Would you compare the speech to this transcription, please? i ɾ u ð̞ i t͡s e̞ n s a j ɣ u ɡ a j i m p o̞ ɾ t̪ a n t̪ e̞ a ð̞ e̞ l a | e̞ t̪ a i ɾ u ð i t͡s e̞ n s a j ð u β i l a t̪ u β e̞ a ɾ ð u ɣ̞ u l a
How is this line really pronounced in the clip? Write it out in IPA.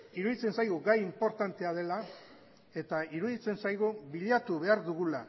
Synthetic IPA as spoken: i ɾ u ð̞ i t͡s e̞ n s a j ɣ u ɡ a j i m p o̞ ɾ t̪ a n t̪ e̞ a ð̞ e̞ l a | e̞ t̪ a i ɾ u ð i t͡s e̞ n s a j ɣ u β i ʎ a t̪ u β e̞ a ɾ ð u ɣ̞ u l a

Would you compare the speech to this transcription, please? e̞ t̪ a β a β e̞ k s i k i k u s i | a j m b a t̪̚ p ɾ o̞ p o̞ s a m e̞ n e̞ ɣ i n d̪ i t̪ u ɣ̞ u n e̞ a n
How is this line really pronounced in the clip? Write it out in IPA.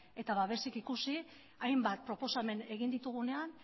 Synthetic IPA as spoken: e̞ t̪ a β a β e̞ s i k i k u s i | a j m b a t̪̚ p ɾ o̞ p o̞ s a m e̞ n e̞ ɣ i n d̪ i t̪ u ɣ̞ u n e̞ a n

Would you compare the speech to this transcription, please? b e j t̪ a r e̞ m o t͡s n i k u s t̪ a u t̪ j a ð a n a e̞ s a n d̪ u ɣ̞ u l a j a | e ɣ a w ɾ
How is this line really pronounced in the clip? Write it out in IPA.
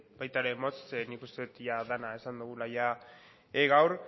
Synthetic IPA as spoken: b a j t̪ a ɾ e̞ m o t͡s n i k u s t̪ e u t̪ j a ð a n a e̞ s a n d̪ u ɣ̞ u l a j a | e ɣ a w ɾ

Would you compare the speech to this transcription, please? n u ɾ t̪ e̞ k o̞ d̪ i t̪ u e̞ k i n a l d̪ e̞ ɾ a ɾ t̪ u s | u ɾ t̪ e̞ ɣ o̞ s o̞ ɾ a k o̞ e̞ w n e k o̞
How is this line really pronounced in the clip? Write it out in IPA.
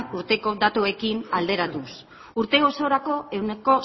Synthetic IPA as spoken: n u ɾ t̪ e̞ k o̞ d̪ a t̪ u e̞ k i n a l d̪ e̞ ɾ a t̪ u s | u ɾ t̪ e̞ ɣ o̞ s o̞ ɾ a k o̞ e̞ w n e k o̞

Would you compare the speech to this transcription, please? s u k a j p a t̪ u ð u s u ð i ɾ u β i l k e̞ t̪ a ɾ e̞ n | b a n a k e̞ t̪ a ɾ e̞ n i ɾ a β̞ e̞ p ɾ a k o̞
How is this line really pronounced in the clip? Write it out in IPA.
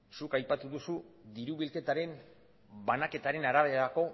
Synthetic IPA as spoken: s u k a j p a t̪ u ð u s u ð i ɾ u β i l k e̞ t̪ a ɾ e̞ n | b a n a k e̞ t̪ a ɾ e̞ n a ɾ a β̞ e̞ ɾ a k o̞

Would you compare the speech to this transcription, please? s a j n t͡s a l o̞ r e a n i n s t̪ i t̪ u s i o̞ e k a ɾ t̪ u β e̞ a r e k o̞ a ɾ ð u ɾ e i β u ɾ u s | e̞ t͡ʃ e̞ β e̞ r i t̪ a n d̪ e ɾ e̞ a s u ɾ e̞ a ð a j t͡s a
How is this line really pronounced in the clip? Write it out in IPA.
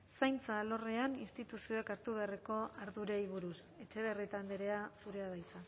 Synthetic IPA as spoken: s a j n t͡s a l o̞ r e a n i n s t̪ i t̪ u s i o̞ e k a ɾ t̪ u β e̞ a r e k o̞ a ɾ ð u ɾ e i β u ɾ u s | e̞ t͡ʃ e̞ β e̞ r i t̪ a n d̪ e ɾ e̞ a s u ɾ e̞ a ð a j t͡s a

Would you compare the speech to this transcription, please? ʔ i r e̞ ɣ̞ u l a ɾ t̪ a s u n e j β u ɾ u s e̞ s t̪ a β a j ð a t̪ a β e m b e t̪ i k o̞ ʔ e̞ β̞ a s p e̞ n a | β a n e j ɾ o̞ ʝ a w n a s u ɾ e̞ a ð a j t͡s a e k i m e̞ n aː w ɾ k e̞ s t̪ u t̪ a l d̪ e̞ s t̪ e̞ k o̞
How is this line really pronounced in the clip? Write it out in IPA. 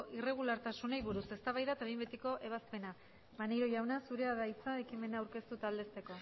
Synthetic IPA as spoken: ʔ i r e̞ ɣ̞ u l a ɾ t̪ a s u n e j β u ɾ u s e̞ s t̪ a β a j ð a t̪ a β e m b e t̪ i k o̞ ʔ e̞ β̞ a s p e̞ n a | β a n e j ɾ o̞ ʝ a w n a s u ɾ e̞ a ð a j t͡s a e k i m e̞ n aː w ɾ k e̞ s t̪ u t̪ a l d̪ e̞ s t̪ e̞ k o̞

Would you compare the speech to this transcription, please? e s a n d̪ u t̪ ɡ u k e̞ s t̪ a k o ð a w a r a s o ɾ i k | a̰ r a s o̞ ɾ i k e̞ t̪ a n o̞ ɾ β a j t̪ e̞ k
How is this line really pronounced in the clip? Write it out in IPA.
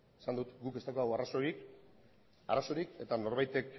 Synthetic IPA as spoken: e s a n d̪ u t̪ ɡ u k e̞ s t̪ a k o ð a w a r a s o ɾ i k | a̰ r a s o̞ ɾ i k e̞ t̪ a n o̞ ɾ β a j t̪ e̞ k

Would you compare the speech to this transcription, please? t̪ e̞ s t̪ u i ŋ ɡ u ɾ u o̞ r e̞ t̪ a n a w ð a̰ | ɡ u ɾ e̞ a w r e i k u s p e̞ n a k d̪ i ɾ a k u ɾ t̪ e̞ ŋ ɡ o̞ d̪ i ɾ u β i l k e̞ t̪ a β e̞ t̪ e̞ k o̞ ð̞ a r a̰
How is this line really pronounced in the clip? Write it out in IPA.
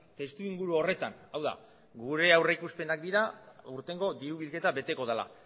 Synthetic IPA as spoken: t̪ e̞ s t̪ u i ŋ ɡ u ɾ u o̞ r e̞ t̪ a n a w ð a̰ | ɡ u ɾ e̞ a w r e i k u s p e̞ n a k d̪ i ɾ a u ɾ t̪ e̞ ŋ ɡ o̞ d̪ i ɾ u β i l k e̞ t̪ a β e̞ t̪ e̞ k o̞ ð̞ a l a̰

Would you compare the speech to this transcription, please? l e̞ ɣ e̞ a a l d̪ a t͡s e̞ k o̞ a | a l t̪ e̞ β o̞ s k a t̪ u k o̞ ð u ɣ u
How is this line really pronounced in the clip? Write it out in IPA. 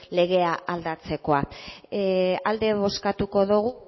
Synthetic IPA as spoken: l e̞ ɣ e̞ a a l d̪ a t͡s e̞ k o̞ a | a l d̪ e̞ β o̞ s k a t̪ u k o̞ ð u ɣ u

